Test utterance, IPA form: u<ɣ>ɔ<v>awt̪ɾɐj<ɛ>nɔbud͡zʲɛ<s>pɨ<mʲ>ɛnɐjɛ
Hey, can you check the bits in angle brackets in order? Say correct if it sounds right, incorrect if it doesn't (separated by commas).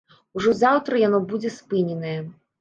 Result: incorrect, incorrect, incorrect, correct, incorrect